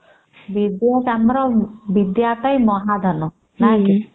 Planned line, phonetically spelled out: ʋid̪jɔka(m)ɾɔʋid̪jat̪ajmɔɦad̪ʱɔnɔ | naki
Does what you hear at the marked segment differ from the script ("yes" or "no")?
no